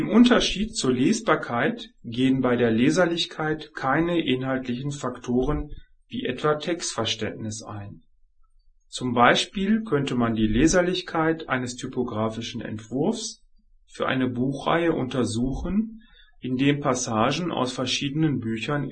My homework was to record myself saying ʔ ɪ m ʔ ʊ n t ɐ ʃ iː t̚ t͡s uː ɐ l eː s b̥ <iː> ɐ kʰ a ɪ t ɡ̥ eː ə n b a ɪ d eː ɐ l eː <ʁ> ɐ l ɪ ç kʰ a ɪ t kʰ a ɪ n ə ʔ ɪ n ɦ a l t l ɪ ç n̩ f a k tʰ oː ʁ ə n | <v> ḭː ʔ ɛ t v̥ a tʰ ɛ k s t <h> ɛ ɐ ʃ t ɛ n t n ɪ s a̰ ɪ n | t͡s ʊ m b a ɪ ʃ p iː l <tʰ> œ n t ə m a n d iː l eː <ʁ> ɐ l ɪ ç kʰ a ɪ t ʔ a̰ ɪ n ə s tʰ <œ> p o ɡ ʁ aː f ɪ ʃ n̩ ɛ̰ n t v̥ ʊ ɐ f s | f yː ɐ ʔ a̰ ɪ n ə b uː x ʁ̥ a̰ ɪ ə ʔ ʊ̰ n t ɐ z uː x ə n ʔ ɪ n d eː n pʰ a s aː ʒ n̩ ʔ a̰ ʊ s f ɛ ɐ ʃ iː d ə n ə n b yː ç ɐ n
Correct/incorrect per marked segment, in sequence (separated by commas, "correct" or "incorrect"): incorrect, incorrect, correct, incorrect, incorrect, incorrect, incorrect